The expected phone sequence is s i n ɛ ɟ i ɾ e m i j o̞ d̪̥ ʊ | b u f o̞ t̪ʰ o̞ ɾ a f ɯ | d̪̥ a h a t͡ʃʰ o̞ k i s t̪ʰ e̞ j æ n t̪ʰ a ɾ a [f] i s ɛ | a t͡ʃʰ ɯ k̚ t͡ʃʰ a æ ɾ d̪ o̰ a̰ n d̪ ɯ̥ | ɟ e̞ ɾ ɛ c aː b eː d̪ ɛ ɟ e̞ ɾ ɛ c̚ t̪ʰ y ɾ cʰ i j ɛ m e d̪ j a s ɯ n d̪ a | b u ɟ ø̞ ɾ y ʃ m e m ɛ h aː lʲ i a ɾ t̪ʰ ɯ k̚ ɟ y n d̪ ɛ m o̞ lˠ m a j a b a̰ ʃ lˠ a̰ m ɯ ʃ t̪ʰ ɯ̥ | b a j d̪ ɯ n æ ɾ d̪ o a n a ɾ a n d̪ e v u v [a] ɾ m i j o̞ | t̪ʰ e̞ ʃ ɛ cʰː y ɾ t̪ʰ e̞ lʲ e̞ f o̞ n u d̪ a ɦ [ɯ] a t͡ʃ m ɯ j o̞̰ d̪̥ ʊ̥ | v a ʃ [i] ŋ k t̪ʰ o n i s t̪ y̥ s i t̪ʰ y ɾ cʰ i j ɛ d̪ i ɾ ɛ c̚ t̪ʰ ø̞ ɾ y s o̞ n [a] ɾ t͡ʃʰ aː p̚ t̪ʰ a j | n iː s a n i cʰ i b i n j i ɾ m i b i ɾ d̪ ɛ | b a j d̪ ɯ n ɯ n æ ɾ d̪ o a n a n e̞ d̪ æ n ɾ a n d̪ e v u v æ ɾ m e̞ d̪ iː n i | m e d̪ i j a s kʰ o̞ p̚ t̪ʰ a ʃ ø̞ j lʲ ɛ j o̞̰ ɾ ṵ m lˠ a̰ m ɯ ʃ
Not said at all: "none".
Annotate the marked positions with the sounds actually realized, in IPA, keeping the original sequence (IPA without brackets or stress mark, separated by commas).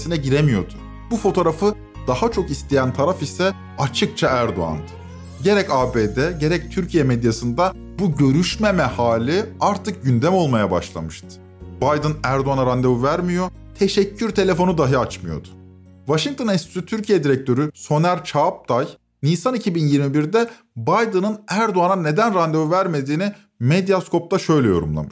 f, æ, ɯ, i, æ